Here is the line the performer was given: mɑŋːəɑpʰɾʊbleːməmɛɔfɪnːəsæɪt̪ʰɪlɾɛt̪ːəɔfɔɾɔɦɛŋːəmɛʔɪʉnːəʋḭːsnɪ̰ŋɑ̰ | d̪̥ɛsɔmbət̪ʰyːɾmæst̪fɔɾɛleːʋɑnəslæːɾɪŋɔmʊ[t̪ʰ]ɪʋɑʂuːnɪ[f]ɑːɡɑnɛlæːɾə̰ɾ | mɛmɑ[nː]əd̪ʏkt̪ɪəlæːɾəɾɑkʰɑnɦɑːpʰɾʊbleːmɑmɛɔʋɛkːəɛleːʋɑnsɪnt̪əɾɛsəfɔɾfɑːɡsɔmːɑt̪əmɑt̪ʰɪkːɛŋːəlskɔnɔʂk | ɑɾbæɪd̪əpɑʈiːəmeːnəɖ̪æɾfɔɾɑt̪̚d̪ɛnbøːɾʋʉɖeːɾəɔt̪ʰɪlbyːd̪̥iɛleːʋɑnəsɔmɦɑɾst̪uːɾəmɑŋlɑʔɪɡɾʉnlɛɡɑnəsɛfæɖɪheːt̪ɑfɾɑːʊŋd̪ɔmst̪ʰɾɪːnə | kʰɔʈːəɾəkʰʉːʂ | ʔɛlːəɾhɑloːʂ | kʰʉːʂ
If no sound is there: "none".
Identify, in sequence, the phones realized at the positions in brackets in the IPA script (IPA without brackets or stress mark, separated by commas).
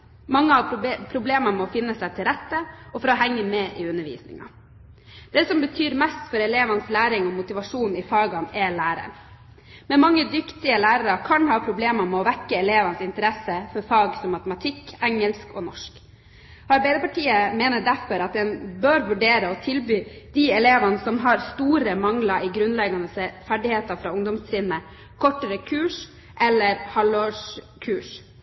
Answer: t̪, f, ŋː